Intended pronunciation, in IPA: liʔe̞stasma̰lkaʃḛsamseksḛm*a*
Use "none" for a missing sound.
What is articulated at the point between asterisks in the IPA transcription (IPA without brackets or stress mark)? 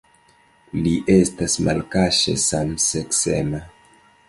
a